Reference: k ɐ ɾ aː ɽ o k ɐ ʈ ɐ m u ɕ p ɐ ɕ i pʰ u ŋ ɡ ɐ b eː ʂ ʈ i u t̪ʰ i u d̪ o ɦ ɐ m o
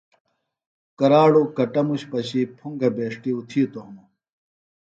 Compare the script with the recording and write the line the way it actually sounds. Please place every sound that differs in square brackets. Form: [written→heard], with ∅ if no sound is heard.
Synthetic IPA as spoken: k ɐ ɾ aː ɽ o k ɐ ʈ ɐ m u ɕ p ɐ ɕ i pʰ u ŋ ɡ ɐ b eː ʂ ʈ i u t̪ʰ i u [d̪→t̪] o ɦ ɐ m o